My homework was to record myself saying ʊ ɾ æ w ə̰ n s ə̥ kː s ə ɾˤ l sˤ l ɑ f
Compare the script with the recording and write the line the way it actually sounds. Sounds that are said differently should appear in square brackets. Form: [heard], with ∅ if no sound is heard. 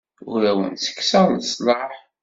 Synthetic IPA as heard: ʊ ɾ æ w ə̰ n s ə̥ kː s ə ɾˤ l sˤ l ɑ [ħ]